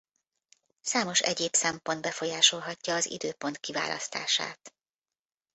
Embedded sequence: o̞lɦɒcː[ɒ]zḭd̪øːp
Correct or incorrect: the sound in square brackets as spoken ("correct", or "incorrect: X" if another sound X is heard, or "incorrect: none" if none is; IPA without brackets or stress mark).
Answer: incorrect: ɒː